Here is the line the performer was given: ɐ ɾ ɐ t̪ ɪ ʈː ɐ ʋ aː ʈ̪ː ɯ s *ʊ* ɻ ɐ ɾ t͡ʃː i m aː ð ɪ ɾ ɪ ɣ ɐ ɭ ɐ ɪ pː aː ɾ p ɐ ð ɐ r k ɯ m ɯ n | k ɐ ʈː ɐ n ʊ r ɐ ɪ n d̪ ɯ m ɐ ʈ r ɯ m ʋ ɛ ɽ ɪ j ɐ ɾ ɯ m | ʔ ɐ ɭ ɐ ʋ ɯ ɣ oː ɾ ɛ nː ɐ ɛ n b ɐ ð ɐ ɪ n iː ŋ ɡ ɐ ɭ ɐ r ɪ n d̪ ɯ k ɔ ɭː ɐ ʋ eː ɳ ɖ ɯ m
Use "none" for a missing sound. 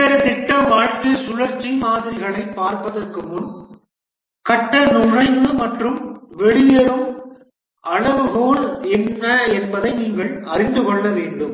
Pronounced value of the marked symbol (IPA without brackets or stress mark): ʊ